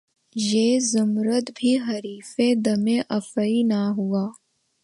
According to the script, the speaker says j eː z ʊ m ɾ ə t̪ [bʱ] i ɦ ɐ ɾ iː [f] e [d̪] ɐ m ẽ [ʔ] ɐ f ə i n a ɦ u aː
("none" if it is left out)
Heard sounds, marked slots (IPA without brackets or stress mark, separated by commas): bʱ, f, d̪, ʔ